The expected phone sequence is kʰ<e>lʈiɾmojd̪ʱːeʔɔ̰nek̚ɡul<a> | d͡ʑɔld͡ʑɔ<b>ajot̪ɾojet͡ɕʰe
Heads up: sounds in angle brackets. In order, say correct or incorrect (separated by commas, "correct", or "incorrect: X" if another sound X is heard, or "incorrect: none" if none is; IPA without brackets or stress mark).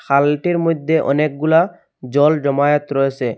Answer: incorrect: a, correct, incorrect: m